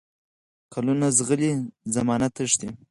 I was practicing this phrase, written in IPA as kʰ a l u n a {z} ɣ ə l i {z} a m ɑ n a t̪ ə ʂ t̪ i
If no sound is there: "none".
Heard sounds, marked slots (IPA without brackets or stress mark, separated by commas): z, z